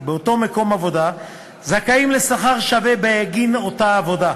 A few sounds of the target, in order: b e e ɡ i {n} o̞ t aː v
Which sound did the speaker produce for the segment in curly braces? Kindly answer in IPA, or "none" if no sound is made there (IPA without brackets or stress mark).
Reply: n